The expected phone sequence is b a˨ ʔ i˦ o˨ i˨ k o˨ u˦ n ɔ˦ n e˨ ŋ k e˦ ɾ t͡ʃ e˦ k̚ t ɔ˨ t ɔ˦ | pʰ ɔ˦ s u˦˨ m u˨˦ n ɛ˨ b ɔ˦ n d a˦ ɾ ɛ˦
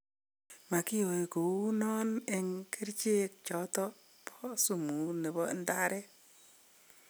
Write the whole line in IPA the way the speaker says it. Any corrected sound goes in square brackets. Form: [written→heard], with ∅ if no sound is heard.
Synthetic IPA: [b→m] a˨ [ʔ→k] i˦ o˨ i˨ k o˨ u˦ n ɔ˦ n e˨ ŋ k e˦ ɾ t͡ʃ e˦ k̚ [t→t͡ʃ] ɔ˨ t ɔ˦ | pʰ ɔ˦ s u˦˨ m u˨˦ n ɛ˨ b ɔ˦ n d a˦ ɾ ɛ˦